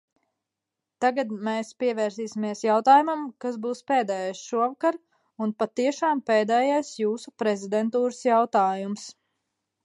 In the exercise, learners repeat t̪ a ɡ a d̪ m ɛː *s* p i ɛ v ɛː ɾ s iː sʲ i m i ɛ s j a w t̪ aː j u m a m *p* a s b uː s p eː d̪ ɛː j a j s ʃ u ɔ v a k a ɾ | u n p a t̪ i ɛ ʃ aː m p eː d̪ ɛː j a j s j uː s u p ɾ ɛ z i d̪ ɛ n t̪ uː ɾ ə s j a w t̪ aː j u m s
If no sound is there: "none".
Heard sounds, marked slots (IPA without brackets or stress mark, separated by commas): s, k